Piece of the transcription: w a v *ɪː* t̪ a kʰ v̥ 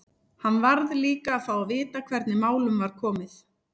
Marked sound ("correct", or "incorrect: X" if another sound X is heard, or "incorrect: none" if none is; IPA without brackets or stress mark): correct